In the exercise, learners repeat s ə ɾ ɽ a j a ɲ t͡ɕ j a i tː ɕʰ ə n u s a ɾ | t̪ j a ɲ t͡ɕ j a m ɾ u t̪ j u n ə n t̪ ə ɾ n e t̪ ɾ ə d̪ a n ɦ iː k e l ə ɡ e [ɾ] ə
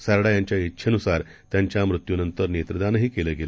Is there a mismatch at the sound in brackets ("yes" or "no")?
yes